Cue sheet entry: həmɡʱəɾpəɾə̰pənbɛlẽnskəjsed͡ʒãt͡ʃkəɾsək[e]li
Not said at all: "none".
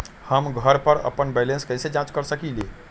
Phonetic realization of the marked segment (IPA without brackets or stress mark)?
i